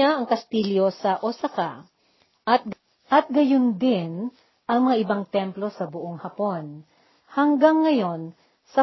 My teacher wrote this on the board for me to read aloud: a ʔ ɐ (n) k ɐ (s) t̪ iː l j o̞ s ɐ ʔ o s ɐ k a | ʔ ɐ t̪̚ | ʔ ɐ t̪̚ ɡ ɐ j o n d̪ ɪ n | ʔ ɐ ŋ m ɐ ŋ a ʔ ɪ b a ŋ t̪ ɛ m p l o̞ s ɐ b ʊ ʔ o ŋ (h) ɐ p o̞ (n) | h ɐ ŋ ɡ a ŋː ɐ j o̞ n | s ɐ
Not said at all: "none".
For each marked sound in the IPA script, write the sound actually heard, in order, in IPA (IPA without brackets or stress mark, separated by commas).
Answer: ŋ, s, h, n